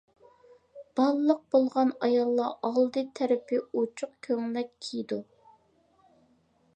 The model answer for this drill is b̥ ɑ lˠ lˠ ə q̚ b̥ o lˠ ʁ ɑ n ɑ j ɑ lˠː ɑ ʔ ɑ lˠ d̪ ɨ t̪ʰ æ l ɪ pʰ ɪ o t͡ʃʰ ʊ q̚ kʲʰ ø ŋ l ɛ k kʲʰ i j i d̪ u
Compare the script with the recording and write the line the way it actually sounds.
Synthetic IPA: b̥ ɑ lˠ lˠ ə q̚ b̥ o lˠ ʁ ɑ n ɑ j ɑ lˠː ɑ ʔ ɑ lˠ d̪ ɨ t̪ʰ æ ɾ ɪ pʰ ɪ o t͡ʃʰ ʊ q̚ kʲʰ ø ŋ l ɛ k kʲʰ i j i d̪ u